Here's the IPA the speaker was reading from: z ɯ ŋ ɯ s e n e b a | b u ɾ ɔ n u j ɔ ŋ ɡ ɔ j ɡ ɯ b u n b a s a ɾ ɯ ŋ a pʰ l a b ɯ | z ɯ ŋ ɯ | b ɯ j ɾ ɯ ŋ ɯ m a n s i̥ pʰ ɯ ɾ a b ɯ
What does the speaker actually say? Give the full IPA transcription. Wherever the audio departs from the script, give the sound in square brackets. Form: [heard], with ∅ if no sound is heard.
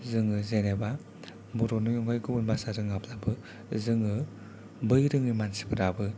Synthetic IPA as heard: z ɯ ŋ ɯ [z] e n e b a | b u ɾ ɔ n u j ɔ ŋ ɡ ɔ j ɡ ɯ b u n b a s a ɾ ɯ ŋ a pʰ l a b ɯ | z ɯ ŋ ɯ | b ɯ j ɾ ɯ ŋ ɯ m a n s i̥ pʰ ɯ ɾ a b ɯ